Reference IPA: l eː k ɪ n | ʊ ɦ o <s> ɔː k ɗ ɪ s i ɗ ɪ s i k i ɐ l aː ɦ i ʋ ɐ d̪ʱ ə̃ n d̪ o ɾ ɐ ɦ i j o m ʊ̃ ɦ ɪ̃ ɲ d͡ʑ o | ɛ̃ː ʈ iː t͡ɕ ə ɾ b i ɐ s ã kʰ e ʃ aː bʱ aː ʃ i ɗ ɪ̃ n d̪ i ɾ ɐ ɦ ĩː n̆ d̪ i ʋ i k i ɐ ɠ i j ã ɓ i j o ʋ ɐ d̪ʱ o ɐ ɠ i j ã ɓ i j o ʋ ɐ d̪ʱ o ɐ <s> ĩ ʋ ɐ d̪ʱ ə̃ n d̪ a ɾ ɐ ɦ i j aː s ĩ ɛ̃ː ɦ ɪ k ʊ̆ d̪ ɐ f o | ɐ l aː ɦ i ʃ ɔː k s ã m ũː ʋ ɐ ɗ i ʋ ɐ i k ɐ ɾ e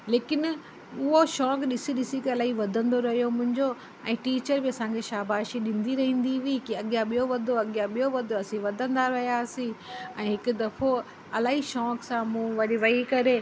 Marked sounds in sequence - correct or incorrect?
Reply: incorrect: ʃ, correct

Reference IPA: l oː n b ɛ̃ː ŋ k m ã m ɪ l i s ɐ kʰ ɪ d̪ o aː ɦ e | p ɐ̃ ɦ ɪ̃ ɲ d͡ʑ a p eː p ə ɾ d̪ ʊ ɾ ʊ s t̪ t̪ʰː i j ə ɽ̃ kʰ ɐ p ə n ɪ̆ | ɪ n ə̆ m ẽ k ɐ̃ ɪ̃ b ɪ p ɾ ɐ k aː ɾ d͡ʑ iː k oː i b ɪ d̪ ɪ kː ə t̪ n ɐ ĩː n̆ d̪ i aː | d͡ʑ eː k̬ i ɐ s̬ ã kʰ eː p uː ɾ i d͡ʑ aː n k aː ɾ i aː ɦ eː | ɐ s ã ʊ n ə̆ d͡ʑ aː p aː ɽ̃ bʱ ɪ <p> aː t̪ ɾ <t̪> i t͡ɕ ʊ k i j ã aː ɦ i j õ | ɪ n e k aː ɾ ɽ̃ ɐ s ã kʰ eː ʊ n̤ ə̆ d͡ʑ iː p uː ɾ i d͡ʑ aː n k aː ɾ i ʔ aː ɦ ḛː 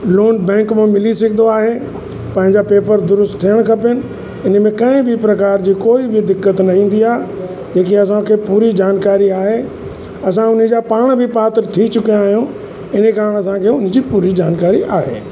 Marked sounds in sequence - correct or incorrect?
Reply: correct, incorrect: t̪ʰ

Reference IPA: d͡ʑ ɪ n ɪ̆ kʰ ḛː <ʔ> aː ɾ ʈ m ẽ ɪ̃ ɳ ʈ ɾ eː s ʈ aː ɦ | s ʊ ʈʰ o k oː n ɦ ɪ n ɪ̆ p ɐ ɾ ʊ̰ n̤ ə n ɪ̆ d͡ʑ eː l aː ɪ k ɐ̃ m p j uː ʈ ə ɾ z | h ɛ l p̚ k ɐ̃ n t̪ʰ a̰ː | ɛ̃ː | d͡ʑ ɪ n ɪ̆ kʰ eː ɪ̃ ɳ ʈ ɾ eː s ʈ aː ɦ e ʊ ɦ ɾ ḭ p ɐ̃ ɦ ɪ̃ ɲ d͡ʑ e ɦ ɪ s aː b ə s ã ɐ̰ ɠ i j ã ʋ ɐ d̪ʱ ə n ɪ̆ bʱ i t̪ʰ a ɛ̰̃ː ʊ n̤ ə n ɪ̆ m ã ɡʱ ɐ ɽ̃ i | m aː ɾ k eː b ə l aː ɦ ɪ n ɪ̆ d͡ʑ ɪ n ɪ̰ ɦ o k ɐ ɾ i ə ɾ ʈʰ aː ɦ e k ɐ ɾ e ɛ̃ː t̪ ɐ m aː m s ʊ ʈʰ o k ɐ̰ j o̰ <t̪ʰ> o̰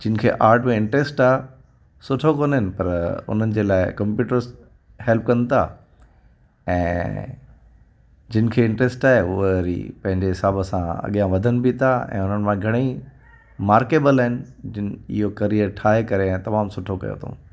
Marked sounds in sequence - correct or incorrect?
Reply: correct, correct

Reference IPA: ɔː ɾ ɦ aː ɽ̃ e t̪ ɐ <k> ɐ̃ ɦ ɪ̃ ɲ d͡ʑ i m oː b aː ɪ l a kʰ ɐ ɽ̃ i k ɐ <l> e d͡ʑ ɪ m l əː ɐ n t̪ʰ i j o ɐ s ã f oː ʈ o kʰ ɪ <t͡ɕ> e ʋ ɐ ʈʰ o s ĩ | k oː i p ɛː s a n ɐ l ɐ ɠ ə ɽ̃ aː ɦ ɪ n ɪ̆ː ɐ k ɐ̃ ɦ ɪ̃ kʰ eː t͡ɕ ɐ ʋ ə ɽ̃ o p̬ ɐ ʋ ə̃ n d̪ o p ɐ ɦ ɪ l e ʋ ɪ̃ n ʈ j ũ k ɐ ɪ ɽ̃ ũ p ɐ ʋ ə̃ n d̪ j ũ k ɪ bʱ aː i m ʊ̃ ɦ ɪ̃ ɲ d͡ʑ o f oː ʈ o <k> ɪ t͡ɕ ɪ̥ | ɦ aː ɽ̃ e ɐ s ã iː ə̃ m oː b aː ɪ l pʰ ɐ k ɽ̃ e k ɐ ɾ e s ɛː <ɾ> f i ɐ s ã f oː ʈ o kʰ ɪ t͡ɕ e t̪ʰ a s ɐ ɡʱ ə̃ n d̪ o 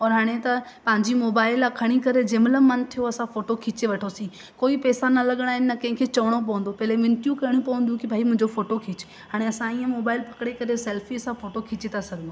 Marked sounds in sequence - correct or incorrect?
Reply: incorrect: p, incorrect: ɾ, correct, incorrect: kʰ, incorrect: l

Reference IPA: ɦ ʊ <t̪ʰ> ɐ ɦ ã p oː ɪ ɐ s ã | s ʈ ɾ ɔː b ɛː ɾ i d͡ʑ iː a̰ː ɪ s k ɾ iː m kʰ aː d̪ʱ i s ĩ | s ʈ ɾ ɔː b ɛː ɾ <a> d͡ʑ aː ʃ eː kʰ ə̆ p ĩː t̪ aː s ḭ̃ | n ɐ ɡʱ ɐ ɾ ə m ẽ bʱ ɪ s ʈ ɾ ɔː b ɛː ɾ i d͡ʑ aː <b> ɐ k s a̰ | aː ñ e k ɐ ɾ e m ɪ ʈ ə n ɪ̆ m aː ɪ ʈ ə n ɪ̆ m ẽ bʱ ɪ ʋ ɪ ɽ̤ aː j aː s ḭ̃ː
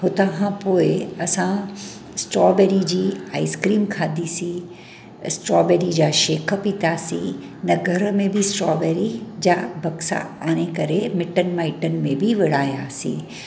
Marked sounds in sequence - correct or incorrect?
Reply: incorrect: t̪, incorrect: i, correct

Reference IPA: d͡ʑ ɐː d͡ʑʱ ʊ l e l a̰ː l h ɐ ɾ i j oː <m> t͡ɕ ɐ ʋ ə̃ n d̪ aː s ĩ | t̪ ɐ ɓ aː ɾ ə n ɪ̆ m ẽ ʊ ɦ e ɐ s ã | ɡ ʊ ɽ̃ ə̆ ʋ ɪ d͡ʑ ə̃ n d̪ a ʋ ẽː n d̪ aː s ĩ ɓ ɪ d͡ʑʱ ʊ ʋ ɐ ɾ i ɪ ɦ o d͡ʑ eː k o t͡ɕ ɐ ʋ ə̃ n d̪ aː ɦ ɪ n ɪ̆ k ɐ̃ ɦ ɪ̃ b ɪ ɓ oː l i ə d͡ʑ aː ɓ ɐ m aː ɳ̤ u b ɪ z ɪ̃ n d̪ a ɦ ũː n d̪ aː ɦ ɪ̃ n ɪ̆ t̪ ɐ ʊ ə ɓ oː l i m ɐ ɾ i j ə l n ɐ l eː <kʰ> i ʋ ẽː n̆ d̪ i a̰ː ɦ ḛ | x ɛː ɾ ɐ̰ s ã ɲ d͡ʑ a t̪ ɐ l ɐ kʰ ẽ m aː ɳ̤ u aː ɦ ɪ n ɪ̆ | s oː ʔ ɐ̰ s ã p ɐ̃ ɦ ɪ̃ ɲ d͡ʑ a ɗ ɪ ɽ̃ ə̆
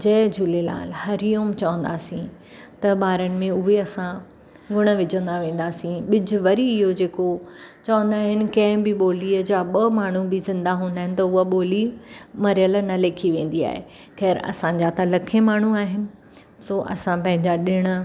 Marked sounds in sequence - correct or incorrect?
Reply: correct, correct

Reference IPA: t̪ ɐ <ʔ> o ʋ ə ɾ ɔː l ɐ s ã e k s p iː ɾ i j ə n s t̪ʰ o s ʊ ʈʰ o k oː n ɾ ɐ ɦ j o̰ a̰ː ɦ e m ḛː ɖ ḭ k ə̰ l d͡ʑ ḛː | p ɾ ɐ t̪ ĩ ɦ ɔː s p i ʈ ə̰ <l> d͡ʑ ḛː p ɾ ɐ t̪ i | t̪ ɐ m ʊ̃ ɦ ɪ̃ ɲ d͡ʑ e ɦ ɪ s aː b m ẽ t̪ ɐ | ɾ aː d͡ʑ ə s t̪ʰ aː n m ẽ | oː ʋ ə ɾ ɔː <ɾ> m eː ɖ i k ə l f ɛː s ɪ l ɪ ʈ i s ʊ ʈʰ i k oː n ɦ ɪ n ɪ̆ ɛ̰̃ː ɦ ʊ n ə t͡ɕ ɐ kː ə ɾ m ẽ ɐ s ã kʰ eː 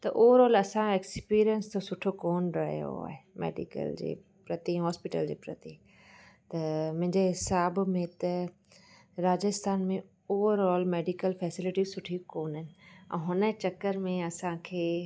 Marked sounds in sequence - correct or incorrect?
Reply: correct, correct, incorrect: l

